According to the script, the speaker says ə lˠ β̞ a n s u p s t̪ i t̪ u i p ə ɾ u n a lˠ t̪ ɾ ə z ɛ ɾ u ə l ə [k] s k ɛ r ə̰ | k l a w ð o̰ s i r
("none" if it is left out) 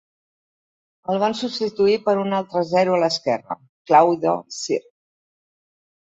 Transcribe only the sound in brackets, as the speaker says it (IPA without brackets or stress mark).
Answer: none